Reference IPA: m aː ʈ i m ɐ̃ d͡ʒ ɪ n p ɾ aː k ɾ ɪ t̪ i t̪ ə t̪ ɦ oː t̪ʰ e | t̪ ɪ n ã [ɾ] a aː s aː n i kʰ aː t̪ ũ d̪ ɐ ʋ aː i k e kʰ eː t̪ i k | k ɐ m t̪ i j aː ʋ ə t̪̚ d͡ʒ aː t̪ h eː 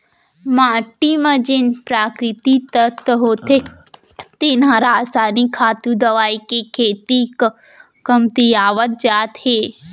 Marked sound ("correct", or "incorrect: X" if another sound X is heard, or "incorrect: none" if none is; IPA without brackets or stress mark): correct